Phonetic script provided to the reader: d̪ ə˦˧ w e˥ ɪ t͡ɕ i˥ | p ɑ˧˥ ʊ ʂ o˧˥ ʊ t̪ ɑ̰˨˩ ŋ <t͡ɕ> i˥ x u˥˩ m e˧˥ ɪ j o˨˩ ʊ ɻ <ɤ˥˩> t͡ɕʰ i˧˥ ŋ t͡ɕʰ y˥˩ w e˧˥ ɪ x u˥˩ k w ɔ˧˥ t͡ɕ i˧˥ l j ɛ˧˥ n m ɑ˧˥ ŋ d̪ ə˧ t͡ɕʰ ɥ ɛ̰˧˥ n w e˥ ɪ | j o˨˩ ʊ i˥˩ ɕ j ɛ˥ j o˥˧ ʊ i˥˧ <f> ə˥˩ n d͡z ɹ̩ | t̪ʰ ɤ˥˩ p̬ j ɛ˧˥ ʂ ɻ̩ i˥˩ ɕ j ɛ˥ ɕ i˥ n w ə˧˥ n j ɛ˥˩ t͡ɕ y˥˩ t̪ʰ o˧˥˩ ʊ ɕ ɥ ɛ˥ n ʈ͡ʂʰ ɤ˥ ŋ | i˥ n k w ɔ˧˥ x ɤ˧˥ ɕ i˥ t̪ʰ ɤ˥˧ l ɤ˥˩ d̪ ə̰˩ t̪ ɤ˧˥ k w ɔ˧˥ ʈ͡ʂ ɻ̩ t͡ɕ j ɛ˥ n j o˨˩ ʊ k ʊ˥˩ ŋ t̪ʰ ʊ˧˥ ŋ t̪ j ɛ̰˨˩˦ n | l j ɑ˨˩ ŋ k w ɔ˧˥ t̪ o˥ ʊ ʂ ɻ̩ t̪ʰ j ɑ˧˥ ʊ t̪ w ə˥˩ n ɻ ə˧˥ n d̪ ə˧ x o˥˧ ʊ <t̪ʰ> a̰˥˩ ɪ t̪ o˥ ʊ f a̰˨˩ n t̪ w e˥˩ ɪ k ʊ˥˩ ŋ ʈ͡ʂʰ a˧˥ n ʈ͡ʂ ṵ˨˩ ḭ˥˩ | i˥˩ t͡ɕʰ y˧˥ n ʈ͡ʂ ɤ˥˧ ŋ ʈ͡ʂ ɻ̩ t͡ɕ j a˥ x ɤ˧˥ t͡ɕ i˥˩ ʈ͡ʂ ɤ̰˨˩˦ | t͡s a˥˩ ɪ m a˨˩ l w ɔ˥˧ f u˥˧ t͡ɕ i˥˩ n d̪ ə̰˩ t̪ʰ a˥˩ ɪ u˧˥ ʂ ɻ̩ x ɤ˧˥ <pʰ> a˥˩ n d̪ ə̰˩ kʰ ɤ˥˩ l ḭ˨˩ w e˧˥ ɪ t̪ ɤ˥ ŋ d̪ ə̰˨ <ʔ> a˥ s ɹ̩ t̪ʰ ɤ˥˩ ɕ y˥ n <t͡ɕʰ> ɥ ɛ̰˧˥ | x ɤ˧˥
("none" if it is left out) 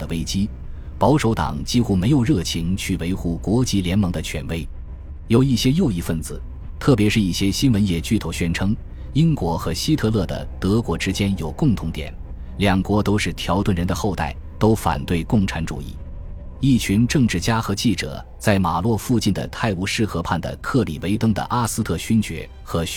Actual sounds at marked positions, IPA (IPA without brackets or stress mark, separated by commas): t͡ɕ, ɤ˥˩, f, t̪, pʰ, ʔ, t͡ɕ